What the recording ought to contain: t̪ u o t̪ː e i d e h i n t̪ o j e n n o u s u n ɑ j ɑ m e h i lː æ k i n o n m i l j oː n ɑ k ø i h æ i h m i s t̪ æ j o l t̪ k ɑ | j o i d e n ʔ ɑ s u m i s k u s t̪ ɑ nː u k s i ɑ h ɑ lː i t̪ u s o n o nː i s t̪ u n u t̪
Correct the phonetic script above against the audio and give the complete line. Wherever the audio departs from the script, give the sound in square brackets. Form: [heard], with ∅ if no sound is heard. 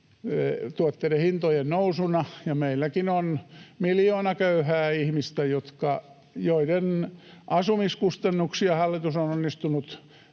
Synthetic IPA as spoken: t̪ u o t̪ː e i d e h i n t̪ o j e n n o u s u n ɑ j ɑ m e [∅] i lː æ k i n o n m i l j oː n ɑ k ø [y] h [æː] i h m i s t̪ æ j o [∅] t̪ k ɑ | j o i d e n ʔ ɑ s u m i s k u s t̪ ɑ nː u k s i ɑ h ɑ lː i t̪ u s o n o nː i s t̪ u n u t̪